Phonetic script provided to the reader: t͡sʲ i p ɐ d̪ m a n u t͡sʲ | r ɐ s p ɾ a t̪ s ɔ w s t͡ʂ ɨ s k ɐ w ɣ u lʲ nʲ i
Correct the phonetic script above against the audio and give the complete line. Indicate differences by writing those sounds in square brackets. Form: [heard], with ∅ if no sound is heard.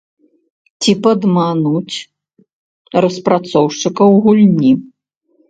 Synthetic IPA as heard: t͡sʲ i p ɐ d̪ m a n u t͡sʲ | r ɐ s p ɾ a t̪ s ɔ w [ʂ] t͡ʂ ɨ [∅] k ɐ w ɣ u lʲ nʲ i